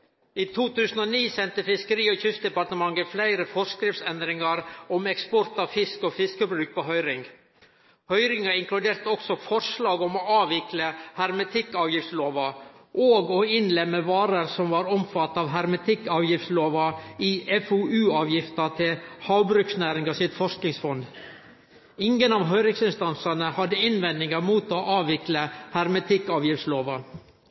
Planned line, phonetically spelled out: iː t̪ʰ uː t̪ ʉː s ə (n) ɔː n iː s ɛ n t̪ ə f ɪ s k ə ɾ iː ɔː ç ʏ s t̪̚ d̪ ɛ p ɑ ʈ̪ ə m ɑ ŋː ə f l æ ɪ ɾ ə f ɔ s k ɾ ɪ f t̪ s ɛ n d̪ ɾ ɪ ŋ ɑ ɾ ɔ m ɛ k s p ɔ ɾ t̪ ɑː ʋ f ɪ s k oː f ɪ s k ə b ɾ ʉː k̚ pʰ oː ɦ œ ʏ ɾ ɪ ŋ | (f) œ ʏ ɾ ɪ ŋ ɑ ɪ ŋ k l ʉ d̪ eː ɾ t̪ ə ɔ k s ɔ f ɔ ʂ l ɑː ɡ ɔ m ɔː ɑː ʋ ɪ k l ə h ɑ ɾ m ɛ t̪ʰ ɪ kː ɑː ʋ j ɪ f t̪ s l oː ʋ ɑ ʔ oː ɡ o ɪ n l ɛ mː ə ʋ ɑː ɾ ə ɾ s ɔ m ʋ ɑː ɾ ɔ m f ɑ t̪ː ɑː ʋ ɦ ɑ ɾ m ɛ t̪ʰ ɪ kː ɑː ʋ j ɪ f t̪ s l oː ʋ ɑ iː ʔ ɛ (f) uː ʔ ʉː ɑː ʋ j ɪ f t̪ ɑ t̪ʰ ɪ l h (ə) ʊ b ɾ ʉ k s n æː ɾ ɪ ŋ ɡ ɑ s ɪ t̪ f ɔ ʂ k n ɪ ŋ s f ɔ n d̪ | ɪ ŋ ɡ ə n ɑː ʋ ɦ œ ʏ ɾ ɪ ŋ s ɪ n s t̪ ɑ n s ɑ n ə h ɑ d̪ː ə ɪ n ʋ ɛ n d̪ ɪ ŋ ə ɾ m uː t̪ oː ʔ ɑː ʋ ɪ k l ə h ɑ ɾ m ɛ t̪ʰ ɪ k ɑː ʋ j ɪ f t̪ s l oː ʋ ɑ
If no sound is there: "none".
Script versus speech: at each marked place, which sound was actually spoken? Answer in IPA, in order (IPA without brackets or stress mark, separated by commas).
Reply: n, h, f, ɑ